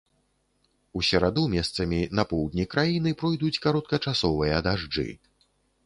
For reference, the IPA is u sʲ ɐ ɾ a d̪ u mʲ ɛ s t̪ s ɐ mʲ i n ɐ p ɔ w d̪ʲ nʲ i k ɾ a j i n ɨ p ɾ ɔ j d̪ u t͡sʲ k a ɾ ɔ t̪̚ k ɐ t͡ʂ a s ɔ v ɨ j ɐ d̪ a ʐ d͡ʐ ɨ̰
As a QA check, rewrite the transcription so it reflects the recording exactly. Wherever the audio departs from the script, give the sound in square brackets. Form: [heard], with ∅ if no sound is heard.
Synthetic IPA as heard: u sʲ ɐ ɾ a d̪ u mʲ ɛ s t̪ s ɐ mʲ i n ɐ p ɔ w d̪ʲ nʲ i k ɾ a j i n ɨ p ɾ ɔ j d̪ u t͡sʲ k a ɾ ɔ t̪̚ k ɐ t͡ʂ a s ɔ v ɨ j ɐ d̪ a ʐ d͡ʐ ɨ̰